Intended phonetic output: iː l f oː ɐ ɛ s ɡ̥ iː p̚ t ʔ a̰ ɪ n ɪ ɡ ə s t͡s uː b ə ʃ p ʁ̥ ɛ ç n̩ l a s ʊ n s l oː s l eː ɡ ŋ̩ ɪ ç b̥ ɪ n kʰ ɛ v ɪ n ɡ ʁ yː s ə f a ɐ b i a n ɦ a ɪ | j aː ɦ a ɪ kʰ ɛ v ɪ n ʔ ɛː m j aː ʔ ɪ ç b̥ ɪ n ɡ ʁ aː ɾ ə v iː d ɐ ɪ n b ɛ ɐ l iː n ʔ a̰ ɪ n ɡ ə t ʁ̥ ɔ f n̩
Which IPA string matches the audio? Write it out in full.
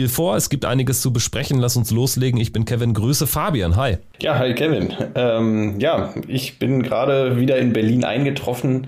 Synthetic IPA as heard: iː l f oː ɐ ɛ s ɡ̥ iː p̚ t ʔ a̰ ɪ n ɪ ɡ ə s t͡s u b ə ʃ p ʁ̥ ɛ ç n̩ l a s ʊ n s l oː s l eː ɡ ŋ̩ ɪ ç b̥ ɪ n kʰ ɛ v ɪ n ɡ ʁ yː s ə f a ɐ b i a n ɦ a ɪ | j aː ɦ a ɪ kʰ ɛ v ɪ n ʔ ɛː m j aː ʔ ɪ ç b̥ ɪ n ɡ ʁ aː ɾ ə v iː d ɐ ɪ n b ɛ ɐ l iː n ʔ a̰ ɪ n ɡ ə t ʁ̥ ɔ f n̩